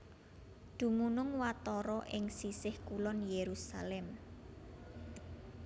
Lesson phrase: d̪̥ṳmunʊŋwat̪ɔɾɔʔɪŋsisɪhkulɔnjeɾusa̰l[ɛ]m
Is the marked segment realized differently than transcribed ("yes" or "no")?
no